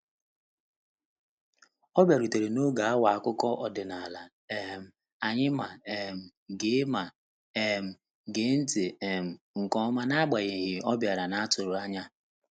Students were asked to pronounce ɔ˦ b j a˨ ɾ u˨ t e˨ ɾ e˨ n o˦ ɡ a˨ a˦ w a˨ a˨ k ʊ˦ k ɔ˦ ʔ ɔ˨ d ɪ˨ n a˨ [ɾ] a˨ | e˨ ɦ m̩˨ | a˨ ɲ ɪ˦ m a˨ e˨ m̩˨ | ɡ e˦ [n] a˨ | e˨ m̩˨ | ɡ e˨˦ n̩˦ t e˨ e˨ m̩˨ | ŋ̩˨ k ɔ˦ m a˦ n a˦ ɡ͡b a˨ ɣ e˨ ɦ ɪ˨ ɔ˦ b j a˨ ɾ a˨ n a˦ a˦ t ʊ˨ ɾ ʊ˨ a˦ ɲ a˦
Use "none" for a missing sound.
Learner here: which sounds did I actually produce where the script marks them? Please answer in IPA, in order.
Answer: l, m

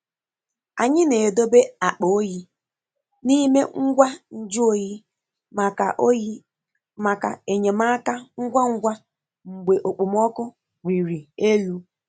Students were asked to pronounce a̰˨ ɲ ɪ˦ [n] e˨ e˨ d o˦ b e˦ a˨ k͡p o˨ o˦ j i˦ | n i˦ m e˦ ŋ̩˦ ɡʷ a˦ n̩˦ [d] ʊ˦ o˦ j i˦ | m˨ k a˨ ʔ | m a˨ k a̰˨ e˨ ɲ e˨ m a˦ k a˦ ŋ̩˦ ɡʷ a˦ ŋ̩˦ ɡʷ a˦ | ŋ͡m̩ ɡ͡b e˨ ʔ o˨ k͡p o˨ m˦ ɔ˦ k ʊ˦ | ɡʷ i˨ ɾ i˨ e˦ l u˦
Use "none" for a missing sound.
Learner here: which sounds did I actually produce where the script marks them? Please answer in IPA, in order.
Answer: n, d͡ʒ

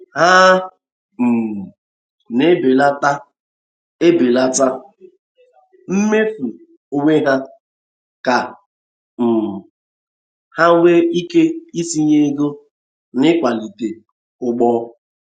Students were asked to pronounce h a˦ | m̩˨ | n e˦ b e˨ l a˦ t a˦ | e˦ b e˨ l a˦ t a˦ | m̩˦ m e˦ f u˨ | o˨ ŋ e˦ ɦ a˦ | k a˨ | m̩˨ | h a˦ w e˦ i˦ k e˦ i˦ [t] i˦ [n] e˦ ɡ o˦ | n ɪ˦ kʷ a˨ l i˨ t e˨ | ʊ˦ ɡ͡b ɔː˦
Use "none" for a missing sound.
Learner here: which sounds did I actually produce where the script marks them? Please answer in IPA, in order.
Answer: s, ɲ

